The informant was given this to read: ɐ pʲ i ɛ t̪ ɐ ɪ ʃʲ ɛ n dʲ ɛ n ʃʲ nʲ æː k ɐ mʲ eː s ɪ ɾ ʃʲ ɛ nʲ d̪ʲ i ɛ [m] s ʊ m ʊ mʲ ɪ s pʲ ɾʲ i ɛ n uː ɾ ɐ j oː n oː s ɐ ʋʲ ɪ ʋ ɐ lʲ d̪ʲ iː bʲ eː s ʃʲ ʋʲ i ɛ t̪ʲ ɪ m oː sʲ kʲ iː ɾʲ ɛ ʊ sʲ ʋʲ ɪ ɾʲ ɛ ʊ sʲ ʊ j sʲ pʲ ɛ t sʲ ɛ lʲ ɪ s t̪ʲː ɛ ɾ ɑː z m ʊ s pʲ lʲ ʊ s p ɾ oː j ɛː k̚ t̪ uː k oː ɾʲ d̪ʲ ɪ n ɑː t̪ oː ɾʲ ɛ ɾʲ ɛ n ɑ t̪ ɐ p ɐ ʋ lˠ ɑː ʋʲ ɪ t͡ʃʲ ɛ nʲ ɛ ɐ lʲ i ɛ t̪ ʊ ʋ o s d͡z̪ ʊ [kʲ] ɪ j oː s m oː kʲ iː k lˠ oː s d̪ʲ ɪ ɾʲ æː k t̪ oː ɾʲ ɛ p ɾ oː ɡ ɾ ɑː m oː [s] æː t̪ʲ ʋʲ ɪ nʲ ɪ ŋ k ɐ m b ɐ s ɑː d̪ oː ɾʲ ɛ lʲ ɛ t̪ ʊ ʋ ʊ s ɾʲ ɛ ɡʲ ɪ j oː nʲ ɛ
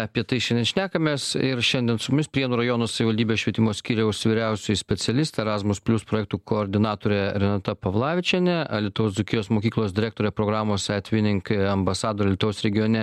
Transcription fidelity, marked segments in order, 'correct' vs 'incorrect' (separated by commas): incorrect, correct, correct